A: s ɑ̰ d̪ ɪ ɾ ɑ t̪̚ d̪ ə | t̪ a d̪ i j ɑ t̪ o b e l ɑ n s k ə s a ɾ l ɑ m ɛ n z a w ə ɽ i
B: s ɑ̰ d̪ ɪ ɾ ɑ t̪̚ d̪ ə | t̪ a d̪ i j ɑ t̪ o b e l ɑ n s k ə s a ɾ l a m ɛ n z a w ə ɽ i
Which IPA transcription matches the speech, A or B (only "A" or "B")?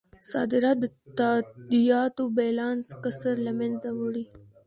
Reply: B